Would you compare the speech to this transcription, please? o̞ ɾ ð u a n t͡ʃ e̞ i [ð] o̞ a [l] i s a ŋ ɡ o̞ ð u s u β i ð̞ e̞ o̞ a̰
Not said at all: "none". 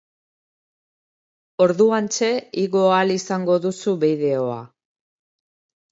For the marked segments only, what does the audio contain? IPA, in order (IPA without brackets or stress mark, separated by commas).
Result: ɣ, l